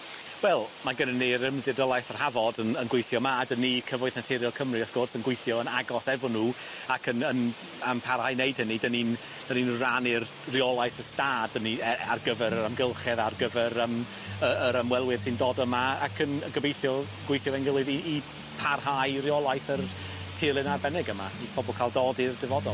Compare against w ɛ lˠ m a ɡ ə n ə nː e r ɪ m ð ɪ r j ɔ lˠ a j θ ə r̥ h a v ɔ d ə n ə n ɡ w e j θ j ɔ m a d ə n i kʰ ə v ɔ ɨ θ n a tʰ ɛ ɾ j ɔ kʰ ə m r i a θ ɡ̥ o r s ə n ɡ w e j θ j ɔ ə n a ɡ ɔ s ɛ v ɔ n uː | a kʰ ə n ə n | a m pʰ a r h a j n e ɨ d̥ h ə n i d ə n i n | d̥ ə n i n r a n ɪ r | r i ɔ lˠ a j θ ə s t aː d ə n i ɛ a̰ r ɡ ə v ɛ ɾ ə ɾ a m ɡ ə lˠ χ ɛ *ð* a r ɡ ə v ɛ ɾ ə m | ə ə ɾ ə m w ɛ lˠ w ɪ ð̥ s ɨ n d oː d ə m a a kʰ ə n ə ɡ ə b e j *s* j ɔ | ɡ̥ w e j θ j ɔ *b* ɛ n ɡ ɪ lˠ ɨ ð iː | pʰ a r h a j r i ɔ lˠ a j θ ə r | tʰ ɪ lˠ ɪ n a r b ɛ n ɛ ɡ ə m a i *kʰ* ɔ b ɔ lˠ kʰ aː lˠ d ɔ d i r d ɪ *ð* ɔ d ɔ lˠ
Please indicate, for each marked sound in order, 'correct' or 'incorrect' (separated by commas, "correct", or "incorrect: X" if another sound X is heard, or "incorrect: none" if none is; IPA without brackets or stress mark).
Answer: correct, incorrect: θ, incorrect: v, incorrect: pʰ, incorrect: v